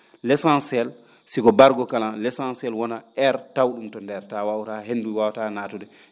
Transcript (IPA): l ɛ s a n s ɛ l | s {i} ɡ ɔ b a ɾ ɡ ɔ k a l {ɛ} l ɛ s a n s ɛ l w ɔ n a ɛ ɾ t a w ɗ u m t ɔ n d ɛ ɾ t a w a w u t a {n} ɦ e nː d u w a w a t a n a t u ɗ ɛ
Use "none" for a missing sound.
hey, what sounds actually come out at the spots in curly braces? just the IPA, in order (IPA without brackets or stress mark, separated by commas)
i, a, none